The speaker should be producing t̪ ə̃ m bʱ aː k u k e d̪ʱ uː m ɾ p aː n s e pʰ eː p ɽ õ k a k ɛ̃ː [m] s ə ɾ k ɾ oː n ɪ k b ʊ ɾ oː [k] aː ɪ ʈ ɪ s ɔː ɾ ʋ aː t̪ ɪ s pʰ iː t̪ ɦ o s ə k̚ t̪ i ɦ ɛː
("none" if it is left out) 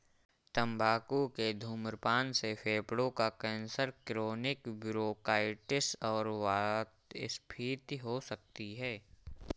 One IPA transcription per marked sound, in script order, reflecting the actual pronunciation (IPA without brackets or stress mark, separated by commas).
n, k